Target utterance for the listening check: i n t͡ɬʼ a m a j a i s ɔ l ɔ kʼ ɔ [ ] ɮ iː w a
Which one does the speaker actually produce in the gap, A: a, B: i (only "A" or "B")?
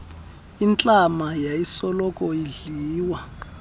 B